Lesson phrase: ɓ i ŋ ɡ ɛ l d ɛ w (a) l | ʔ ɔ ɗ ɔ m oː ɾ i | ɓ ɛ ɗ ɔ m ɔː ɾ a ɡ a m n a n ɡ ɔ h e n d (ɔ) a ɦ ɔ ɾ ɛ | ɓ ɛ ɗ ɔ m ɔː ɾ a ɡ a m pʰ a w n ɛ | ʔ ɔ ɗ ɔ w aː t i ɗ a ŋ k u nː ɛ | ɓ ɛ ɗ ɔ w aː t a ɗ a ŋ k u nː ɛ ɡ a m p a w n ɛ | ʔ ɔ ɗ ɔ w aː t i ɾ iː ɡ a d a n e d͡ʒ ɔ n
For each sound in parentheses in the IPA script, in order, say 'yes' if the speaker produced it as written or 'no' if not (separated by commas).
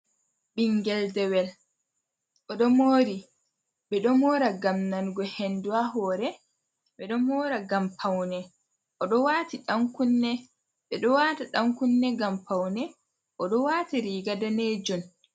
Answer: no, no